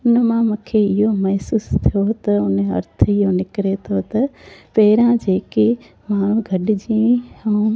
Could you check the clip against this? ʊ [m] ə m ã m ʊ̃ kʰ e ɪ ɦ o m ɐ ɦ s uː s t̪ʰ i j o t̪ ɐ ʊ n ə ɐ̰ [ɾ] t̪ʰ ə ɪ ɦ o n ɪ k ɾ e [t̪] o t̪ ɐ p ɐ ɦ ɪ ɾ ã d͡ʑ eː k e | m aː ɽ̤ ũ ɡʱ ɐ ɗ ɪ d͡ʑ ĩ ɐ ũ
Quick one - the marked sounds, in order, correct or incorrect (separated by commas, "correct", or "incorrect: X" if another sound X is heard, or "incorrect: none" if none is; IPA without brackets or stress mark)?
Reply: incorrect: n, correct, incorrect: t̪ʰ